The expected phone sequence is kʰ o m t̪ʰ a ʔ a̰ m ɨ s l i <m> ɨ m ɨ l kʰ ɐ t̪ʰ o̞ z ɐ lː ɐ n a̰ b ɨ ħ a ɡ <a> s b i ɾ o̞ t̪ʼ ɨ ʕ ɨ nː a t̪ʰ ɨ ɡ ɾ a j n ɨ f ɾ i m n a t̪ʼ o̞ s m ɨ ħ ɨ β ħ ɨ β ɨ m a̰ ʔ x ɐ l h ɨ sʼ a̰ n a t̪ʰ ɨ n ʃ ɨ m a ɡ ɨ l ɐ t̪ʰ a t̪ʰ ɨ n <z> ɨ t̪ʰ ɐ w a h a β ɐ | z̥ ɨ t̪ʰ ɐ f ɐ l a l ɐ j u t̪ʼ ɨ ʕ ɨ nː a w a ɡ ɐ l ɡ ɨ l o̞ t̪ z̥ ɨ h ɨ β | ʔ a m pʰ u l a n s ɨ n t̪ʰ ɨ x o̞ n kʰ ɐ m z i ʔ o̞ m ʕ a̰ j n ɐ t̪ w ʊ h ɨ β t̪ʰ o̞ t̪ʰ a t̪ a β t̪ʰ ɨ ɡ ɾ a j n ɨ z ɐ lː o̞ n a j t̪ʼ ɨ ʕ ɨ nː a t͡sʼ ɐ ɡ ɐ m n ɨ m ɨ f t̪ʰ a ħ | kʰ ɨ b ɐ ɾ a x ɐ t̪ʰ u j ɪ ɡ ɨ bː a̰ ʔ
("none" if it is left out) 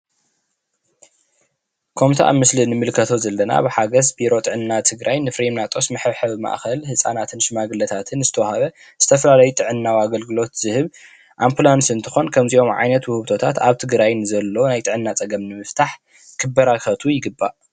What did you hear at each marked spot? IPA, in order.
n, ɐ, z

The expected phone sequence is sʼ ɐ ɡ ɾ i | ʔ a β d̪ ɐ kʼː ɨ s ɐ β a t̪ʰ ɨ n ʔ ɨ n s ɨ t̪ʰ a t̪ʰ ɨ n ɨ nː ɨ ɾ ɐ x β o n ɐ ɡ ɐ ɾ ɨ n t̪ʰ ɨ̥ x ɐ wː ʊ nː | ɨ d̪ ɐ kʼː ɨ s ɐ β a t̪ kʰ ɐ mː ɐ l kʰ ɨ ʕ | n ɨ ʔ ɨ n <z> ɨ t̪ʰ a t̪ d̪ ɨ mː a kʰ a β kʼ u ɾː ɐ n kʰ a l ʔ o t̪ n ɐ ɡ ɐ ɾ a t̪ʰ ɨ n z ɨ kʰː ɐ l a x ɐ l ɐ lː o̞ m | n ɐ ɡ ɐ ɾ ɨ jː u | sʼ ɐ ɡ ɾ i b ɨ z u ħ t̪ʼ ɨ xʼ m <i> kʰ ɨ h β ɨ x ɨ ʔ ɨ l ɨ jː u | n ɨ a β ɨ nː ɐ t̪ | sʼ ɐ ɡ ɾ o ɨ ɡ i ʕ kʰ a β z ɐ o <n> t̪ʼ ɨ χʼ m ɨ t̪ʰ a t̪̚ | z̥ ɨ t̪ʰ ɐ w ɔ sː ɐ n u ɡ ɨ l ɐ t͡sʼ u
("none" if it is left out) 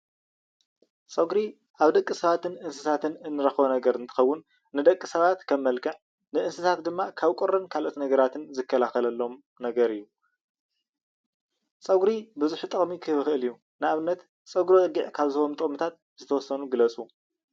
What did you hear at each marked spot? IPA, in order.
s, i, m

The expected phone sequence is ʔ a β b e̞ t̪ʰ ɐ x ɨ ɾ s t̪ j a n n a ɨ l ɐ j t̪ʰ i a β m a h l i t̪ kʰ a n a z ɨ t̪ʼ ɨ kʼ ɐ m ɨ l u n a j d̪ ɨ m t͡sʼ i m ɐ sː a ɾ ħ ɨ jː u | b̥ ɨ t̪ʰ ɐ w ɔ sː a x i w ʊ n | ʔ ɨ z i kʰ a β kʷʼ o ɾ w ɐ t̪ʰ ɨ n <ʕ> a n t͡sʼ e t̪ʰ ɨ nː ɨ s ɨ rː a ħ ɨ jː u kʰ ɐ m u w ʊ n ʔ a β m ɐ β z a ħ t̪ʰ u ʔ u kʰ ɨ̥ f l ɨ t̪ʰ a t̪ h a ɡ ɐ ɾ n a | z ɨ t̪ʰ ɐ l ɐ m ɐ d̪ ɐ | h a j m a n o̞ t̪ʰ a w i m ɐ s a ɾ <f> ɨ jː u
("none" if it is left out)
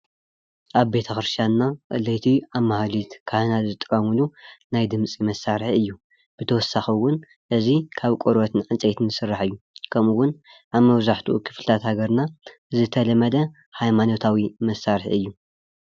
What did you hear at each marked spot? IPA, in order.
ʕ, ħ

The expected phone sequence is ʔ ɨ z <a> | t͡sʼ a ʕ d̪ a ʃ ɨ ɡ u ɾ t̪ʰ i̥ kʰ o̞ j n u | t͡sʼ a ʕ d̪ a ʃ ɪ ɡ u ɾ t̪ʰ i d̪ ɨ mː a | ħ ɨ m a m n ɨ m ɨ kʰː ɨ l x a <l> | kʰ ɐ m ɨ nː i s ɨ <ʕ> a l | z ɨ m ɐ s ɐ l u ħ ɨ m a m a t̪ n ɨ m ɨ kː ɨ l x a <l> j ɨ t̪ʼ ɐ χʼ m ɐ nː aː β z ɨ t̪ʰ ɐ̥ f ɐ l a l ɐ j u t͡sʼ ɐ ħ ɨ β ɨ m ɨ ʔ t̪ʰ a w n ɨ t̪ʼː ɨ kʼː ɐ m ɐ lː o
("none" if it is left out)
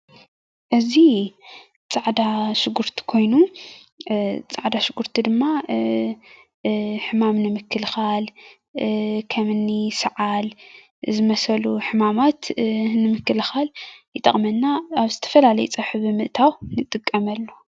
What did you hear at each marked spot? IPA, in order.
i, l, ʕ, l

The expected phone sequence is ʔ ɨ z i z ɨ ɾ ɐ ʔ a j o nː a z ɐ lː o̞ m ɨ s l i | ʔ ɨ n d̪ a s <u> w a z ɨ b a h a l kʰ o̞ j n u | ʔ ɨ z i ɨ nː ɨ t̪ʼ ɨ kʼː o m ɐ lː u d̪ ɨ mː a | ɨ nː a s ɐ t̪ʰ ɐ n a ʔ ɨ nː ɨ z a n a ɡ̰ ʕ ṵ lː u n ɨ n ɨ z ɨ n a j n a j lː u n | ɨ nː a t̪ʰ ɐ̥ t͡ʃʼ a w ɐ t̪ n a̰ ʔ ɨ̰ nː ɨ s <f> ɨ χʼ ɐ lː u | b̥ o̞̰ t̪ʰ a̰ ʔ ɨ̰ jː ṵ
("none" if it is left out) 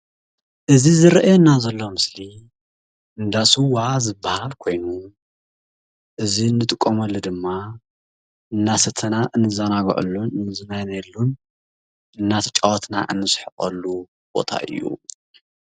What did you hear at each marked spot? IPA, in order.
u, ħ

